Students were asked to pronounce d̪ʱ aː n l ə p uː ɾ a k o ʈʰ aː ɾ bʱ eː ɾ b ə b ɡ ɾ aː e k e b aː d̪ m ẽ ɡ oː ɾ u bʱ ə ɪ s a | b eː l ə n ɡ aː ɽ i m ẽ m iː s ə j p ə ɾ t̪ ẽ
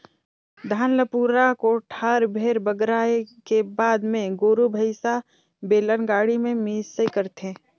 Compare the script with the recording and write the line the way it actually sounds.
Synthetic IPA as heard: d̪ʱ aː n l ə p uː ɾ a k o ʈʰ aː ɾ bʱ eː ɾ b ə ɡ ɾ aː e k e b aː d̪ m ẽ ɡ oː ɾ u bʱ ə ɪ s a | b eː l ə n ɡ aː ɽ i m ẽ m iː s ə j k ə ɾ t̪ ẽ